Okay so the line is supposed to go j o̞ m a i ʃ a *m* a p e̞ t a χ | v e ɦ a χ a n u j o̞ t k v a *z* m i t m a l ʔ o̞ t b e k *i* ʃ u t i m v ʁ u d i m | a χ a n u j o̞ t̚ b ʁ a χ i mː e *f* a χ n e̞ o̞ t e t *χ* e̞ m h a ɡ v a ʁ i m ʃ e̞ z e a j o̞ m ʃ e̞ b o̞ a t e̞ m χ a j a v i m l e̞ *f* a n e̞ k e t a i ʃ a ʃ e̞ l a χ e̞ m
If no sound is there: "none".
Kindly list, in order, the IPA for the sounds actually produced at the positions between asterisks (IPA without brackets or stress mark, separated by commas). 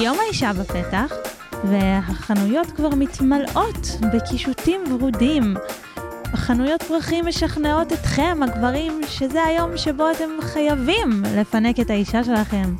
b, ʁ, i, ʃ, χ, f